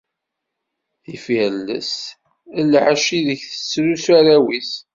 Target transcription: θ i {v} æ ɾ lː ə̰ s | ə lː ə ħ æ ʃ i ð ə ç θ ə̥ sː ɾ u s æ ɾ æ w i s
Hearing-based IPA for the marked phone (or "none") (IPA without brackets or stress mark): f